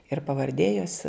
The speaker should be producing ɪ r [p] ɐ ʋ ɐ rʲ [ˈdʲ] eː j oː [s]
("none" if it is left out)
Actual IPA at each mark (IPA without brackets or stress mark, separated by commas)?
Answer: p, dʲ, s